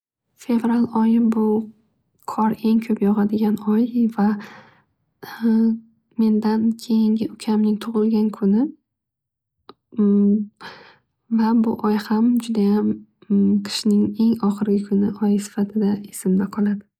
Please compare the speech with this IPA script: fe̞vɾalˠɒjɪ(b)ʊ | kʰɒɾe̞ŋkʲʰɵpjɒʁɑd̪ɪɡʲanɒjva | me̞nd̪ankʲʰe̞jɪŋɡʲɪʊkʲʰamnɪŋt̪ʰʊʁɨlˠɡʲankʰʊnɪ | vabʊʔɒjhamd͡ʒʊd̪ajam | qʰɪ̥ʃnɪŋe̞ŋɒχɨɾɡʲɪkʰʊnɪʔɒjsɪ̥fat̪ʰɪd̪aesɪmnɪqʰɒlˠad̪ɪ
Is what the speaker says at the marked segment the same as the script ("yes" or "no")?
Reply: yes